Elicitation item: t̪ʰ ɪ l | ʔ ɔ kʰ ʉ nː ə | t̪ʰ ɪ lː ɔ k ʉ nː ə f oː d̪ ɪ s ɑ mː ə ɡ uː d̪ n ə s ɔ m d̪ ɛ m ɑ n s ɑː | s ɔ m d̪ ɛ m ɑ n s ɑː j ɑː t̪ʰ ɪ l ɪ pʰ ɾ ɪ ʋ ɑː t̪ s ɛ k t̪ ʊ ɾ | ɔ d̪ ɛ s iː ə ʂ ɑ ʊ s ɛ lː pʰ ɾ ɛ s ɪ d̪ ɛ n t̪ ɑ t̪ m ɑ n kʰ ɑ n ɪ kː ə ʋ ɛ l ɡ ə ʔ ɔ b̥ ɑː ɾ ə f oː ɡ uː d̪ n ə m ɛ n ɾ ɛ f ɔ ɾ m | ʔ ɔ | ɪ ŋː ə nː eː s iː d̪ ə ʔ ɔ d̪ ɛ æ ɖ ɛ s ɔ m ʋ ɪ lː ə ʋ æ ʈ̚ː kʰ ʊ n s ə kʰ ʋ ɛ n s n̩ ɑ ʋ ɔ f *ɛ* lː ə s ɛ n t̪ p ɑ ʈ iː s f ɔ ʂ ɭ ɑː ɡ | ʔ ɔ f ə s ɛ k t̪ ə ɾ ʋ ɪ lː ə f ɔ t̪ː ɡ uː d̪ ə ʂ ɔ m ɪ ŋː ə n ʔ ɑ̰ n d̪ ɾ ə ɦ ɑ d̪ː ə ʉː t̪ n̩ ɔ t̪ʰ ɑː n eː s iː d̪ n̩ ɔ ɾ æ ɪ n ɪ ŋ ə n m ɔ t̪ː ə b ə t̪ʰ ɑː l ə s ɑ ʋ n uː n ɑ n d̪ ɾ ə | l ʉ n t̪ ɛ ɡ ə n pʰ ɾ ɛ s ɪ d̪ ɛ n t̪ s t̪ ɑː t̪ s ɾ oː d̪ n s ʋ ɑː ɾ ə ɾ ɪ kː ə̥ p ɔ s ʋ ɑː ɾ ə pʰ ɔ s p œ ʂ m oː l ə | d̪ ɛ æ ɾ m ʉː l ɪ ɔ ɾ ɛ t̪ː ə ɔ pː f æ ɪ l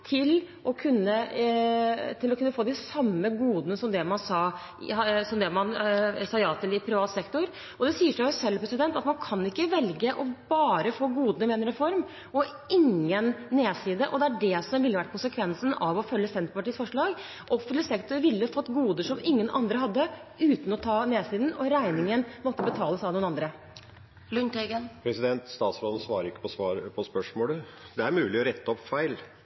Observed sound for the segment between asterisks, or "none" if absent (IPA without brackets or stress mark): œ